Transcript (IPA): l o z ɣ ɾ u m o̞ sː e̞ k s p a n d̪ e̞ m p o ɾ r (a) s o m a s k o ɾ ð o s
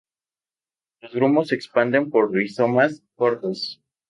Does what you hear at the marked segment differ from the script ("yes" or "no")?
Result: yes